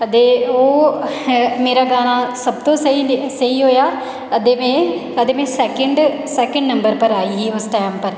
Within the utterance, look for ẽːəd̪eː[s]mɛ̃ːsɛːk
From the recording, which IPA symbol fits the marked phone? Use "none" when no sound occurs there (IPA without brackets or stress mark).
none